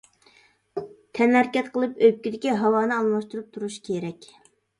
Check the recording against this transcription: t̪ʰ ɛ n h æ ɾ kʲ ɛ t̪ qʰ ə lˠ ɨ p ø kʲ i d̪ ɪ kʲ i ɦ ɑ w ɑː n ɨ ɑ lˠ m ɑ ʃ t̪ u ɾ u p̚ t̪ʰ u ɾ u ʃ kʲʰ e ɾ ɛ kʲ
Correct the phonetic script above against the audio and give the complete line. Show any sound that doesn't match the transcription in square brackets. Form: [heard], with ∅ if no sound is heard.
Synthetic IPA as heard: t̪ʰ ɛ n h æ ɾ kʲ ɛ t̪ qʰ ə lˠ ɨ p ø kʲ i d̪ ɪ kʲ i ɦ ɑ w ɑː n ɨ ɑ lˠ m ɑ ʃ t̪ u ɾ u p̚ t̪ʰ u ɾ u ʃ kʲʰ e ɾ ɛ kʲ